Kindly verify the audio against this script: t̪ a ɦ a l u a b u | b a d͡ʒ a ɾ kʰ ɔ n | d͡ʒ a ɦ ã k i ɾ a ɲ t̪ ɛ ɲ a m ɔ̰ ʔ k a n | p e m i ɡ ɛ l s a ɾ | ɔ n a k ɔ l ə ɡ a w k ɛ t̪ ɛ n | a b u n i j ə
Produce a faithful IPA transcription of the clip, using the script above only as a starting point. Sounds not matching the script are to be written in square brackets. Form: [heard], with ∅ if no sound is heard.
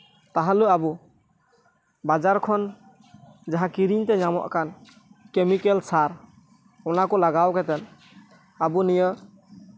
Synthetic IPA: t̪ a ɦ a l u a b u | b a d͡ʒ a ɾ kʰ ɔ n | d͡ʒ a ɦ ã k i ɾ [i] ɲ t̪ ɛ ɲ a m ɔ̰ ʔ k a n | [k] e m i [k] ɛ l s a ɾ | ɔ n a k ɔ l [a] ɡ a w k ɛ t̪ ɛ n | a b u n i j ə